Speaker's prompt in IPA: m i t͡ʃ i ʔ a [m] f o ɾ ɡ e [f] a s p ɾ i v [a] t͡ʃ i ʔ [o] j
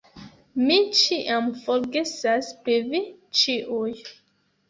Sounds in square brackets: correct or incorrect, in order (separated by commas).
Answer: correct, incorrect, incorrect, incorrect